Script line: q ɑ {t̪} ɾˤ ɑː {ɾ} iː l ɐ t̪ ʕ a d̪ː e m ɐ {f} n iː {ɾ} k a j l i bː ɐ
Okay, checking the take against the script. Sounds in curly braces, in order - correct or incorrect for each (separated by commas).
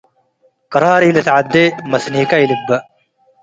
incorrect, correct, incorrect, incorrect